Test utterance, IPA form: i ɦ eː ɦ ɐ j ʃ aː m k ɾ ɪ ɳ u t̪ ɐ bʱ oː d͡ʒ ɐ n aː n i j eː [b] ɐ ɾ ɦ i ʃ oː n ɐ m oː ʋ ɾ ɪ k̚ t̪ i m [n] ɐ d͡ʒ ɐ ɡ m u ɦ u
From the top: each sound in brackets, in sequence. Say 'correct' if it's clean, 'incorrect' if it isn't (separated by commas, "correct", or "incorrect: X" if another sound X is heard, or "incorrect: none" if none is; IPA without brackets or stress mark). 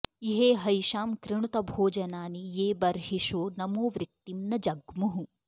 correct, correct